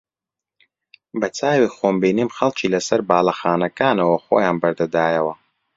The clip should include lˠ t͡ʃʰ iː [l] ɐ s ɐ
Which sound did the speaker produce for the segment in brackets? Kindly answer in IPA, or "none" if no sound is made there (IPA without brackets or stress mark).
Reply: l